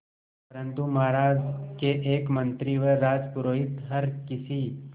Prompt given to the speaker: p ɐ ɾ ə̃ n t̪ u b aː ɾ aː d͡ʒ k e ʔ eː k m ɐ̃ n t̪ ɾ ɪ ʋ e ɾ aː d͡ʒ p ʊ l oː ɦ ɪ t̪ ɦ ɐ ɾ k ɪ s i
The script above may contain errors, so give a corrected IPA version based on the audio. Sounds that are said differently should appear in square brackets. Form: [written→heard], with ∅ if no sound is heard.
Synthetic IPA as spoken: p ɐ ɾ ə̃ n t̪ u [b→m] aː ɾ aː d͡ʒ k e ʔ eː k m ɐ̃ n t̪ ɾ [ɪ→i] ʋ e ɾ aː d͡ʒ p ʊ [l→ɾ] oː ɦ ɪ t̪ ɦ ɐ ɾ k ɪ s i